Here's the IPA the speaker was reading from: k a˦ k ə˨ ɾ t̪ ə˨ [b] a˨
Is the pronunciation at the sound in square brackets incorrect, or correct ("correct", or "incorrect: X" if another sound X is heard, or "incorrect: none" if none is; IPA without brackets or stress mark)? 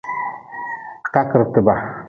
correct